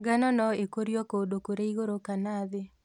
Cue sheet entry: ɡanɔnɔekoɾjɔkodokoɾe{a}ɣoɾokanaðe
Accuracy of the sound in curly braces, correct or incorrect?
incorrect